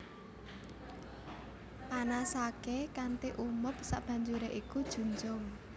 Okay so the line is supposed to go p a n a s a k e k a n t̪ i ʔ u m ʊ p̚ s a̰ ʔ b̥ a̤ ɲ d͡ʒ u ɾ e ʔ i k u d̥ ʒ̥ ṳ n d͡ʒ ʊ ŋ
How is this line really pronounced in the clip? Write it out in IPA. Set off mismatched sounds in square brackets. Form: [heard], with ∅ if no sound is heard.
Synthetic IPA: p a n a s a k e k a n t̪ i ʔ u m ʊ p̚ s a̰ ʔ b̥ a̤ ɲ d͡ʒ u ɾ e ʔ i k u d̥ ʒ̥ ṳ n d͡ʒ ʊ ŋ